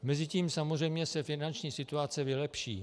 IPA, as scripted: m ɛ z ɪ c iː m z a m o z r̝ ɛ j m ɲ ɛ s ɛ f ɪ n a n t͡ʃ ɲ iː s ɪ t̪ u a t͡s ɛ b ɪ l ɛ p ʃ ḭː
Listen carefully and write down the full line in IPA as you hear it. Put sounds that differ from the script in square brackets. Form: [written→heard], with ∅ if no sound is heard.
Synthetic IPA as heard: m ɛ z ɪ c iː m [z→s] a m o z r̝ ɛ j m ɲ ɛ s ɛ f ɪ n a n t͡ʃ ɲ iː s ɪ t̪ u a t͡s ɛ [b→v] ɪ l ɛ p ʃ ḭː